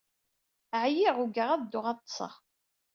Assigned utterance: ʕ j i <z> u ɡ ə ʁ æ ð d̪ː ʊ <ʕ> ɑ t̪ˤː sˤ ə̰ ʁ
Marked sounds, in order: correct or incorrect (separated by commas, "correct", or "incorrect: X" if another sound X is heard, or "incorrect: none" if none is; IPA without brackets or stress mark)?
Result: incorrect: ʁ, incorrect: ʁ